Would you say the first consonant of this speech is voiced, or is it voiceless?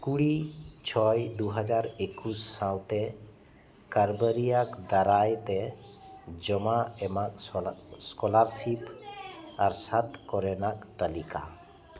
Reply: voiceless